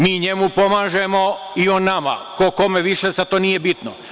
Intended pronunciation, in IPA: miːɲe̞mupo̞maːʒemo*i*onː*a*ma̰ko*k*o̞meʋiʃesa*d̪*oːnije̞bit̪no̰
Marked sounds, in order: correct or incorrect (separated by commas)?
correct, correct, correct, incorrect